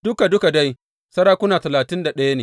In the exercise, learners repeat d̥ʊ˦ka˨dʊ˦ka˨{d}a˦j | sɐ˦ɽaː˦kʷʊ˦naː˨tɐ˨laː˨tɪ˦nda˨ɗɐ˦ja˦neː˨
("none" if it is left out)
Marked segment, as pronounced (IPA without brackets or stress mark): d